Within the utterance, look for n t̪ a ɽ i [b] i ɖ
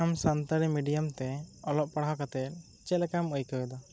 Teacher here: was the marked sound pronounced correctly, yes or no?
no